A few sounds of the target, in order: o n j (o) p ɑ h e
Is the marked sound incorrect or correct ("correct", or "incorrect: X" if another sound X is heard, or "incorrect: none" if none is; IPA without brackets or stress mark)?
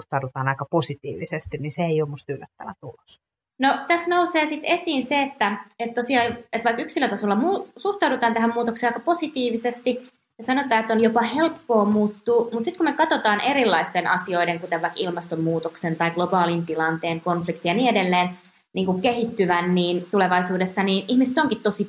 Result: correct